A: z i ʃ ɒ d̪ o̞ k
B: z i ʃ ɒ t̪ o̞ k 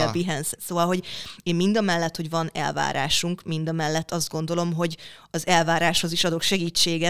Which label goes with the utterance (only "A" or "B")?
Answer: A